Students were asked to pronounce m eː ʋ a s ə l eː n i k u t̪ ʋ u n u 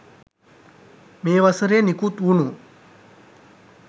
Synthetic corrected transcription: m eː ʋ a s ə ɾ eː n i k u t̪ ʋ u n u